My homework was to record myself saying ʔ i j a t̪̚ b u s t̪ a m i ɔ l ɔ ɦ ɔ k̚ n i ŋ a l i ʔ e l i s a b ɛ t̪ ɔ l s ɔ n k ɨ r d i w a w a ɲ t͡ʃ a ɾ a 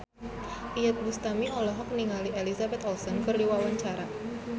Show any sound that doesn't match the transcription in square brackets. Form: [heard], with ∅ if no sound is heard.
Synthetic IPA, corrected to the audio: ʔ i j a t̪̚ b u s t̪ a m i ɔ l ɔ ɦ ɔ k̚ n i ŋ a l i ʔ e l i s a b ɛ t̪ ɔ l s ɔ n k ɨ r d i w a w a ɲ t͡ʃ a ɾ a